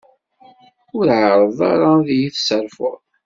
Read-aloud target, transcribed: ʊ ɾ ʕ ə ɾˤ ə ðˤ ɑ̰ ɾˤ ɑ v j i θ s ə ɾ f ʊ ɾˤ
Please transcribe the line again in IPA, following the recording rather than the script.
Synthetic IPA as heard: ʊ ɾ ʕ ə ɾˤ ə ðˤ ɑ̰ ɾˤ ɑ ð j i θ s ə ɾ f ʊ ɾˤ